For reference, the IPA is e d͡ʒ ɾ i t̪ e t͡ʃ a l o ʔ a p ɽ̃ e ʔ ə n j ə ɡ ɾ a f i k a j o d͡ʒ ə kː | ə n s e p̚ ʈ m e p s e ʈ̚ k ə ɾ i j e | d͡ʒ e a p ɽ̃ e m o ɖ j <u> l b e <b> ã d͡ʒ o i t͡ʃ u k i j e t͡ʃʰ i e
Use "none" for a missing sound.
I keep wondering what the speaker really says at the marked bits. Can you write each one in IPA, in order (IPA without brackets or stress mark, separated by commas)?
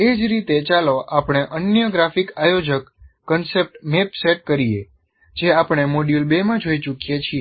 u, m